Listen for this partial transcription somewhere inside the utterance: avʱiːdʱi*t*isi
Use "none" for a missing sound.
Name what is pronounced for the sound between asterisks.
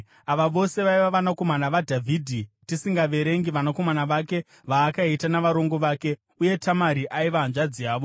t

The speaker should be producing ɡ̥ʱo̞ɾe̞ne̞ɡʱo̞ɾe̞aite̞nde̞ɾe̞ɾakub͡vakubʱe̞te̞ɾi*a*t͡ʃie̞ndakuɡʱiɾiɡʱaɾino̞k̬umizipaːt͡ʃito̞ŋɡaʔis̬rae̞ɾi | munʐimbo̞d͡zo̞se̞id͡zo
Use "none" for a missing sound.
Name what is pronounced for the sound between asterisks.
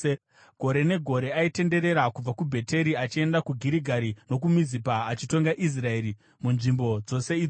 a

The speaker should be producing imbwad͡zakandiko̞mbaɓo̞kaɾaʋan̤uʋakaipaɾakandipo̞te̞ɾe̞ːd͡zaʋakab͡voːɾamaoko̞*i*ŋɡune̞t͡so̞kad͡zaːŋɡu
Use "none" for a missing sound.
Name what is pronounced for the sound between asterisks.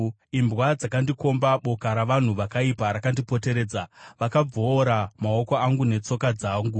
a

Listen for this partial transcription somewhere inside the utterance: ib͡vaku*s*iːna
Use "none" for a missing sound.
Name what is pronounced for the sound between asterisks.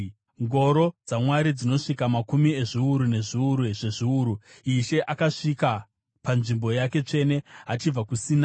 s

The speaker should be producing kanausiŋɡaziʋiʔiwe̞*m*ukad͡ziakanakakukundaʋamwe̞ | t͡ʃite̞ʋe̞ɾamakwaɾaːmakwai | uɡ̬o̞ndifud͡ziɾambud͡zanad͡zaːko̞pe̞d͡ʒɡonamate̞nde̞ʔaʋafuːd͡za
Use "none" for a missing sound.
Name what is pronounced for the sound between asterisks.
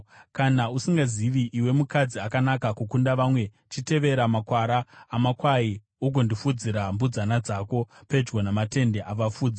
m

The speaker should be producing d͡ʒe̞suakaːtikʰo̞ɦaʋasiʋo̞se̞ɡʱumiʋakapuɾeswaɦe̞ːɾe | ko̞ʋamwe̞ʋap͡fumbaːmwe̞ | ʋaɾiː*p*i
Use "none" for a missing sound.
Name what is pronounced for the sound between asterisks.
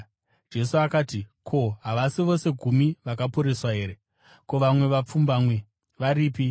p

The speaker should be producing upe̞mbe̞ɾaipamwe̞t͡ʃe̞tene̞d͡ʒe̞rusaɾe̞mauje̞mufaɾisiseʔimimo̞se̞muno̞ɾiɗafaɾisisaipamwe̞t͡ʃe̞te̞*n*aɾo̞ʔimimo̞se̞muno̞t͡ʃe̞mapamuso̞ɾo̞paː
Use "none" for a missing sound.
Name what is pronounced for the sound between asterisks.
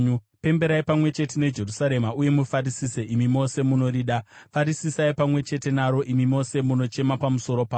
n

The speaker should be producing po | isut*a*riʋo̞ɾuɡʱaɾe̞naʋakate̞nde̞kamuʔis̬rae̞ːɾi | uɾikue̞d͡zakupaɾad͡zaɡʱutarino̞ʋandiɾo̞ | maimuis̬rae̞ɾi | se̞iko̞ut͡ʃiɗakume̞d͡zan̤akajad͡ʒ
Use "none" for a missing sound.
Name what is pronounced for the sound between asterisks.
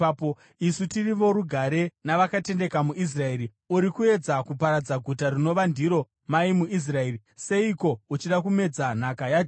i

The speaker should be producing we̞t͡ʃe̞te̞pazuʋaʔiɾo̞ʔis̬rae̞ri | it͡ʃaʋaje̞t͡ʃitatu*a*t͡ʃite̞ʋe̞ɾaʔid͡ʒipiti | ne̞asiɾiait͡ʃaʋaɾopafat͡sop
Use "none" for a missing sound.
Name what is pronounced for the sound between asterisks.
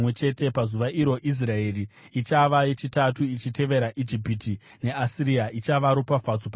i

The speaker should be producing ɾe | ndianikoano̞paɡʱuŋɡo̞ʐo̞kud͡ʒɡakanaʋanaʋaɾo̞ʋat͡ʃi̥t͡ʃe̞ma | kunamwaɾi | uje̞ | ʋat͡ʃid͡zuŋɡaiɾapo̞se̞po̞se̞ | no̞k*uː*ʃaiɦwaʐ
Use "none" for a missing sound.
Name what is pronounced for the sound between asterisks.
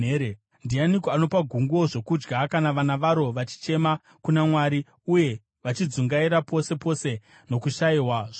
u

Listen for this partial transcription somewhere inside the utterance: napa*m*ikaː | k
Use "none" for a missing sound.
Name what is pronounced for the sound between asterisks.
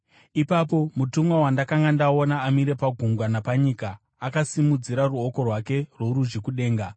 ɲ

